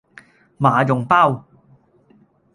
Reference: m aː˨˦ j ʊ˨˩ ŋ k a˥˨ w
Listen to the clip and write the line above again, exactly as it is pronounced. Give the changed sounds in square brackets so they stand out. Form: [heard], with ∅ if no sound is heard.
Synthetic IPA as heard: m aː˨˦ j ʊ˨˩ ŋ [p] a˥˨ w